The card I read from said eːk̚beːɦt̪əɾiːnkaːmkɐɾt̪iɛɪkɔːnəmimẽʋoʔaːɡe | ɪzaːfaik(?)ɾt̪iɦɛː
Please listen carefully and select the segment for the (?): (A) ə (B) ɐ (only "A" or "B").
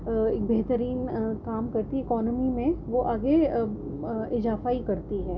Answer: B